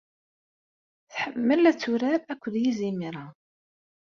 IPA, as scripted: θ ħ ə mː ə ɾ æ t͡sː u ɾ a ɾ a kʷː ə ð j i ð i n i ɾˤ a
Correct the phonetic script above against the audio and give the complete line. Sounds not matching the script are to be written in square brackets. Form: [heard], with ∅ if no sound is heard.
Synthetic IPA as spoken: θ ħ ə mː ə [l] æ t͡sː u ɾ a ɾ [æ] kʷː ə ð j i [z] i [m] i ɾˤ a